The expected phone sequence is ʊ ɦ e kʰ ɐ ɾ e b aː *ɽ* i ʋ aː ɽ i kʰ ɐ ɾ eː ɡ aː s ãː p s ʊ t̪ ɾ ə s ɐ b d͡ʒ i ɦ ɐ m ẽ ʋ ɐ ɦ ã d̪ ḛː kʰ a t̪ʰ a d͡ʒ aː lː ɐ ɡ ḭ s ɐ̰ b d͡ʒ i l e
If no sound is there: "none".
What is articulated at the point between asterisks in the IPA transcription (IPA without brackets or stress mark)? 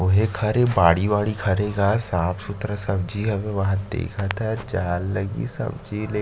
ɽ